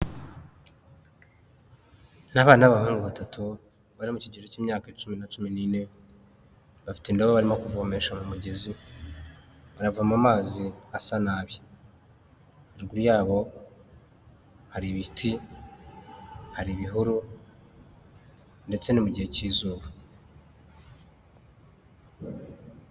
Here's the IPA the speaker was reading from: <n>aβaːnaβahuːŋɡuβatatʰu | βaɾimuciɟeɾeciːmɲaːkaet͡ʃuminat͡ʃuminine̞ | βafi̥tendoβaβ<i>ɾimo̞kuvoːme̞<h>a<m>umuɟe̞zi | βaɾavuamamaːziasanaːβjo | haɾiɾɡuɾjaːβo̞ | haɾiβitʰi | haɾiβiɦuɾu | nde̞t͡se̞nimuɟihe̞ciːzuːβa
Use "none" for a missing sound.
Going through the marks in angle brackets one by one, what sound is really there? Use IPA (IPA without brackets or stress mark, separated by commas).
n, a, ʃ, m